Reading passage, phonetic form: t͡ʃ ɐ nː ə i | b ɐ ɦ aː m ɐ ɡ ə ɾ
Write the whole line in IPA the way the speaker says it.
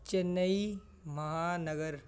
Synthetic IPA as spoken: t͡ʃ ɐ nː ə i | m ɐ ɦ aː n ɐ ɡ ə ɾ